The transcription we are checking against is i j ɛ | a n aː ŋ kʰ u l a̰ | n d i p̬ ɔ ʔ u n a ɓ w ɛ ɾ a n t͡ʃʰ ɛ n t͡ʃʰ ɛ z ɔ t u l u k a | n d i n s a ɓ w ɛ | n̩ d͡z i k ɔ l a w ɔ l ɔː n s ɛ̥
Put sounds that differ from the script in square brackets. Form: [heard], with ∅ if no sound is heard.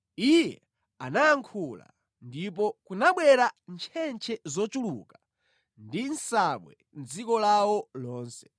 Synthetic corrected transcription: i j ɛ | a n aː ŋ kʰ u l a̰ | n d i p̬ ɔ [k] u n a ɓ w ɛ ɾ a n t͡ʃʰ ɛ n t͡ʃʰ ɛ z ɔ [t͡ʃ] u l u k a | n d i n s a ɓ w ɛ | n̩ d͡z i k ɔ l a w ɔ l ɔː n s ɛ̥